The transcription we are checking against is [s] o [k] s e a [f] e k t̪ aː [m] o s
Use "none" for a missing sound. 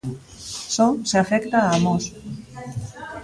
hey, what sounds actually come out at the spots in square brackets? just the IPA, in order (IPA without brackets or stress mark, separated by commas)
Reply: s, none, f, m